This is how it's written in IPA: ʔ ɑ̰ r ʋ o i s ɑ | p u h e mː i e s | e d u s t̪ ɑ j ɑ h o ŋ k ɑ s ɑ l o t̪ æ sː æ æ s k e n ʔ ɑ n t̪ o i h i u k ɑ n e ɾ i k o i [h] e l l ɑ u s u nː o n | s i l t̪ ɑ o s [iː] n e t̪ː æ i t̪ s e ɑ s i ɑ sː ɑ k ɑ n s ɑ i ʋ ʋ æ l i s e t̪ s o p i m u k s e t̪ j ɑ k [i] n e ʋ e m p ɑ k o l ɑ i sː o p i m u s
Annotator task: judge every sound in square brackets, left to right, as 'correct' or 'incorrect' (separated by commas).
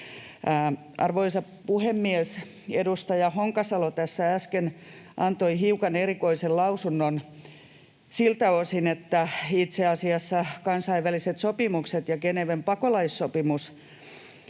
incorrect, incorrect, incorrect